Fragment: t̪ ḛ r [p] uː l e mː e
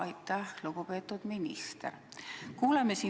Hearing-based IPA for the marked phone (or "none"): k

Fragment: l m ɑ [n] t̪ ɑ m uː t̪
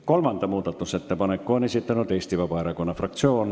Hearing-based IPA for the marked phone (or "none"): n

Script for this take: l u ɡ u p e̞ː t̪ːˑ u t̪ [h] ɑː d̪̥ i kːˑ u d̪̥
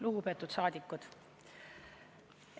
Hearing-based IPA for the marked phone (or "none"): s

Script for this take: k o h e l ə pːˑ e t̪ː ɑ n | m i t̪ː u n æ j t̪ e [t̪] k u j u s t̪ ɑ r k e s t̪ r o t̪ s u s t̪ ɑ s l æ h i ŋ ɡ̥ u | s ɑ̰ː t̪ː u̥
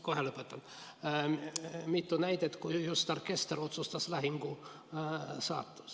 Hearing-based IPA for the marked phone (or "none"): t̪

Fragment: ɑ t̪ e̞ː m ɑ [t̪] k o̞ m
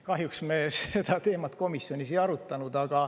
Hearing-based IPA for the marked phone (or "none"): t̪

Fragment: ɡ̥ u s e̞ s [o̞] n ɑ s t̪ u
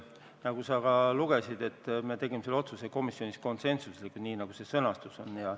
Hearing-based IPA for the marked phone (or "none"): ɤ̞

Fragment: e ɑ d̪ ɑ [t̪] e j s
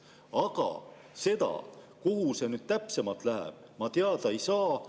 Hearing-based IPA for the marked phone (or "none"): none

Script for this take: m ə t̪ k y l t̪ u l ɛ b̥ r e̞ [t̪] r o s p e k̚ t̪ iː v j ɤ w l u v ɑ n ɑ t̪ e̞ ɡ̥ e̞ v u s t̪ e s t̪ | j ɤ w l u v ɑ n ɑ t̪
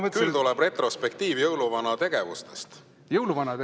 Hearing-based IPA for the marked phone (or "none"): t̪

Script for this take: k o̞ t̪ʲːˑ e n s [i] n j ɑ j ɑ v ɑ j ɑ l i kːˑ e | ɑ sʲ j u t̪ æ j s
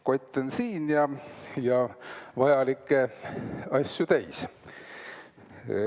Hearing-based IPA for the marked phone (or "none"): iː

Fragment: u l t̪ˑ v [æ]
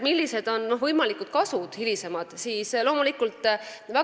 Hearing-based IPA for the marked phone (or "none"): æ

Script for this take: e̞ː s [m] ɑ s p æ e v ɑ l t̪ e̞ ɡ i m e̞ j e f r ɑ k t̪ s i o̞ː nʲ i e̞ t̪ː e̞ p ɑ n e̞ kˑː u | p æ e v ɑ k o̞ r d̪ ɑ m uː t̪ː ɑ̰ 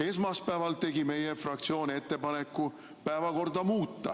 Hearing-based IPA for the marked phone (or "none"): m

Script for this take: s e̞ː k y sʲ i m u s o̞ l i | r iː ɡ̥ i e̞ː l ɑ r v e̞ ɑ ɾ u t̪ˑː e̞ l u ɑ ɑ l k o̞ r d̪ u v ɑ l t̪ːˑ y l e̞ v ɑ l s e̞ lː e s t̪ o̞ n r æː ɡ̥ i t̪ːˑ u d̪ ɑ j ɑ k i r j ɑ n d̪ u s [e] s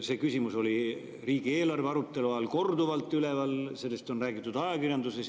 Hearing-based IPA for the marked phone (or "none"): e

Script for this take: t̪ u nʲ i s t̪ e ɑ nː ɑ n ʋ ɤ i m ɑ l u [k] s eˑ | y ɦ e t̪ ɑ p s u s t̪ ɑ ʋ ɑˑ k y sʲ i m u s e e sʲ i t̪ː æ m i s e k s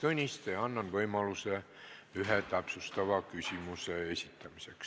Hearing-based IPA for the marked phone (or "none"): none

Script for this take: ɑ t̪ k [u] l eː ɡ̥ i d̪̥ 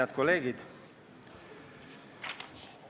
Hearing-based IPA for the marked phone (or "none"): o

